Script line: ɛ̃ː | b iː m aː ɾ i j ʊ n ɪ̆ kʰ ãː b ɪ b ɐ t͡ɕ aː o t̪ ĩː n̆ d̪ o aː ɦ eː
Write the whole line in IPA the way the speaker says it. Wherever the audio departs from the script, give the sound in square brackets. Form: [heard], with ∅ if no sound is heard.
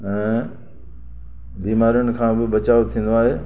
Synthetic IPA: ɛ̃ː | b iː m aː ɾ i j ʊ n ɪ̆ kʰ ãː b ɪ b ɐ t͡ɕ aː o [t̪ʰ] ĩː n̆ d̪ o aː ɦ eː